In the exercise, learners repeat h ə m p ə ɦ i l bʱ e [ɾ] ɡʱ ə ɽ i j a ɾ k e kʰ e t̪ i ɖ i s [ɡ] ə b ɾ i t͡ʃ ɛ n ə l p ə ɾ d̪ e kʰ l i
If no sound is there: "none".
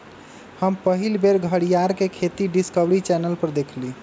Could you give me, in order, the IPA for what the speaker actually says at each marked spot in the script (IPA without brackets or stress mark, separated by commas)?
ɾ, k